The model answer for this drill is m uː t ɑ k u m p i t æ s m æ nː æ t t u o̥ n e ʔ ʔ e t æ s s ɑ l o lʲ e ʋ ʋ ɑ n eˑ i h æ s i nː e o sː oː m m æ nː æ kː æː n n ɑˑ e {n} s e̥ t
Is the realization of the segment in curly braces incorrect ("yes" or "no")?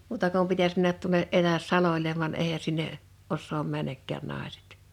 yes